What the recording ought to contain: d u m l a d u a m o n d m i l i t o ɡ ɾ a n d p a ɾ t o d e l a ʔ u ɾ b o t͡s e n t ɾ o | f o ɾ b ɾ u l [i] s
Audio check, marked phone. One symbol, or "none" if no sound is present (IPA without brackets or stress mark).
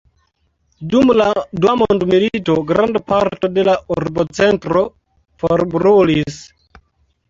i